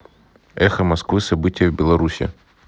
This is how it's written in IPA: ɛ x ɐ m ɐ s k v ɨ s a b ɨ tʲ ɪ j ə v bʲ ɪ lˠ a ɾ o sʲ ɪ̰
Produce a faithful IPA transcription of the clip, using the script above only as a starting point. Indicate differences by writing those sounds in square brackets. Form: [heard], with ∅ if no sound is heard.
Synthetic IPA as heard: ɛ x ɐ m ɐ s k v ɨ s [ɐ] b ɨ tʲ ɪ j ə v bʲ ɪ lˠ [ɐ] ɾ [u] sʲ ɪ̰

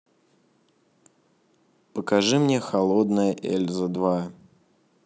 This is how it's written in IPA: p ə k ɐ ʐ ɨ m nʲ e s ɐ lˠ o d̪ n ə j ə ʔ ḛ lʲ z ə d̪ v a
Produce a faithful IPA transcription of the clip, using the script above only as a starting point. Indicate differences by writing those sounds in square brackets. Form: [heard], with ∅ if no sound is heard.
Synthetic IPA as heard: p ə k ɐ ʐ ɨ m nʲ e [x] ɐ lˠ o d̪ n ə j ə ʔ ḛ lʲ z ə d̪ v a

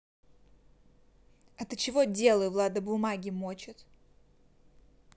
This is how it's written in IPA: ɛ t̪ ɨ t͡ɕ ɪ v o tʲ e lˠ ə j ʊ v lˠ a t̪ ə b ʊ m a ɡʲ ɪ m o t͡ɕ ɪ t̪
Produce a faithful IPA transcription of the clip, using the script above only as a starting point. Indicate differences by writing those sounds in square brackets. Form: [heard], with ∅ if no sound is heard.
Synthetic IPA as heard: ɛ t̪ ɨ t͡ɕ ɪ v o [dʲ] e lˠ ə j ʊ v lˠ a [d̪] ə b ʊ m a ɡʲ ɪ m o t͡ɕ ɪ t̪

